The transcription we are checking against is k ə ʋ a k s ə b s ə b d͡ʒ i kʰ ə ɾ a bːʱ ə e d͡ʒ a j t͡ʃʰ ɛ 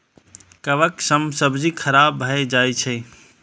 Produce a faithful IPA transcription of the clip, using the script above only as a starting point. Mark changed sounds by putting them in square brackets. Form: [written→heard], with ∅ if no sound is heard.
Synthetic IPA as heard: k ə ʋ [a→ə] k s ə [b→m] s ə b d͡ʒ i kʰ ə ɾ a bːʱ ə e d͡ʒ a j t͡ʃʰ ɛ